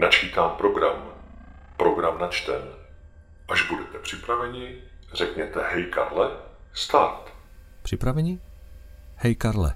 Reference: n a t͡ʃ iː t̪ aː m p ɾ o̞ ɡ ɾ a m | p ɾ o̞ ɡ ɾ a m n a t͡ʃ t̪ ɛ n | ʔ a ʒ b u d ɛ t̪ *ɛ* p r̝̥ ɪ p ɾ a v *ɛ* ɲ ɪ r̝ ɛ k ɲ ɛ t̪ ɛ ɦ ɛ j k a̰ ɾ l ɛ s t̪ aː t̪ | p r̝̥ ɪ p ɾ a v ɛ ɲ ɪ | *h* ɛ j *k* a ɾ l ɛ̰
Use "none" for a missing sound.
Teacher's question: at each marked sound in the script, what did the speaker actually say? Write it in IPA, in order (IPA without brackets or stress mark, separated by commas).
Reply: ɛ, ɛ, h, k